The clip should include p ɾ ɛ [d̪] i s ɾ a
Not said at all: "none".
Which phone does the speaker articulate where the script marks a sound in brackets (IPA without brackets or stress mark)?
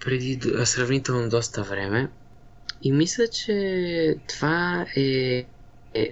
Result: d̪